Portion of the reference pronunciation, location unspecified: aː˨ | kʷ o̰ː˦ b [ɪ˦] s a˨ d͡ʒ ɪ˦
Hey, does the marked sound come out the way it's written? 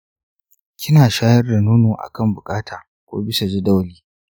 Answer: yes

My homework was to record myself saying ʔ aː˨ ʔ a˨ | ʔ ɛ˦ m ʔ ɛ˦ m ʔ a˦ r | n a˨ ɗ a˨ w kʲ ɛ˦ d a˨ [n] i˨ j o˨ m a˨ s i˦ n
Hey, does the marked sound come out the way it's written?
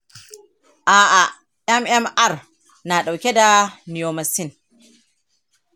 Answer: yes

